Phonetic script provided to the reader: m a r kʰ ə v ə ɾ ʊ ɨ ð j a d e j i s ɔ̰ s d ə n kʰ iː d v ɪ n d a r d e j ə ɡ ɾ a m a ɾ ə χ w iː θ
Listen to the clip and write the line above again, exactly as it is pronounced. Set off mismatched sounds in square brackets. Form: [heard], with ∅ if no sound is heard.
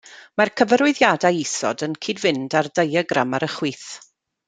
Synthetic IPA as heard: m a r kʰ ə v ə ɾ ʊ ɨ ð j a d [a] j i s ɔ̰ [∅] d ə n kʰ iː d v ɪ n d a r d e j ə ɡ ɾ a m a ɾ ə χ w iː θ